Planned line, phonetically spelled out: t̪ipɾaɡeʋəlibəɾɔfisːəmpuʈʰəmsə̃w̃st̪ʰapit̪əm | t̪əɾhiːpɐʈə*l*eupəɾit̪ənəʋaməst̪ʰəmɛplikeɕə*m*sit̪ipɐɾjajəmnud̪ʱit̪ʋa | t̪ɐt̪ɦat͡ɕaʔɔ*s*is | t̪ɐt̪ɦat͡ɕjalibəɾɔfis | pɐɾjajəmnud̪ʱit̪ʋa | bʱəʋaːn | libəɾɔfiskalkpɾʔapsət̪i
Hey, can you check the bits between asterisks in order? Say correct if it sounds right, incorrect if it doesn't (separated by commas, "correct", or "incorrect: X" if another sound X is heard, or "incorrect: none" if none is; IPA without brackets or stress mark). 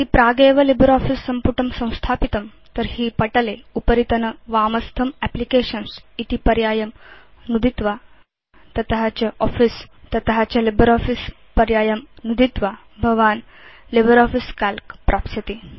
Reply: correct, incorrect: n, incorrect: f